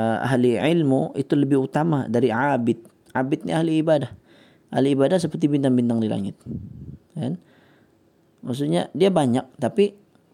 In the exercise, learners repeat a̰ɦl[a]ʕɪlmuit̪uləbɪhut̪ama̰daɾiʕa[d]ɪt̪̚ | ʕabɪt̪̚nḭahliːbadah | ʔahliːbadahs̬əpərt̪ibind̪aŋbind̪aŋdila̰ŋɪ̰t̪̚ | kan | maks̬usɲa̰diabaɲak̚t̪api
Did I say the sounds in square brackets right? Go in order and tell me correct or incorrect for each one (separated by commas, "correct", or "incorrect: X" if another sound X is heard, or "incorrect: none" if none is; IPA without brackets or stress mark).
incorrect: i, incorrect: b